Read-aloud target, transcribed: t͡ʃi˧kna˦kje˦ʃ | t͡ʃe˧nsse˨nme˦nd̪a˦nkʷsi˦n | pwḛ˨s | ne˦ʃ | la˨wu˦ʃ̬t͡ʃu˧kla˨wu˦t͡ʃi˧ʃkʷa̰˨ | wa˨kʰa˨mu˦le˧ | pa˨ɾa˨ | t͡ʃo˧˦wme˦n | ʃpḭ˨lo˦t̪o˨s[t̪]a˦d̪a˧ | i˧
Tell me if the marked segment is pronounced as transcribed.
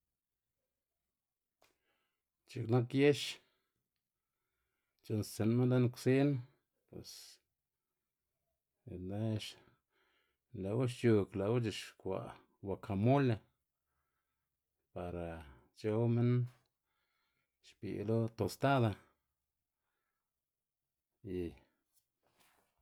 yes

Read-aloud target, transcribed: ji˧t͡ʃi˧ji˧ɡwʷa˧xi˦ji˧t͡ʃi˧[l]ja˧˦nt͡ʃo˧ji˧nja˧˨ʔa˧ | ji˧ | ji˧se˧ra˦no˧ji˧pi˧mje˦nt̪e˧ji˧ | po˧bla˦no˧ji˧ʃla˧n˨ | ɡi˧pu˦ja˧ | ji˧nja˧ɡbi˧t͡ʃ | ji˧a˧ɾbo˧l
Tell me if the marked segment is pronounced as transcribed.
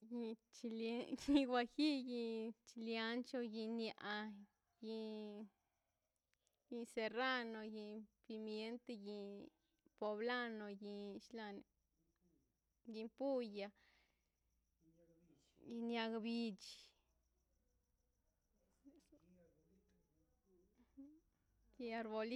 yes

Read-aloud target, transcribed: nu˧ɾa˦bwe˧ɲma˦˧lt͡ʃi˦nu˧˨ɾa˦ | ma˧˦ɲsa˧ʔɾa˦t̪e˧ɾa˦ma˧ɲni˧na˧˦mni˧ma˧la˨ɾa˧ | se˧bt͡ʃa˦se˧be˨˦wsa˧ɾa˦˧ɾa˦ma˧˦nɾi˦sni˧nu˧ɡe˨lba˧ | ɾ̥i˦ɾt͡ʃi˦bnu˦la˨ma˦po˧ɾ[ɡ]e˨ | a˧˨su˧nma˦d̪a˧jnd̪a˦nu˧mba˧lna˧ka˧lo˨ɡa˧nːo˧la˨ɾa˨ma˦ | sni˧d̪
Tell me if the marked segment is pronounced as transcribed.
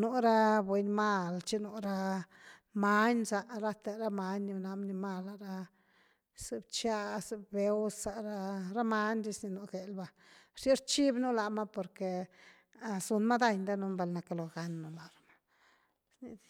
no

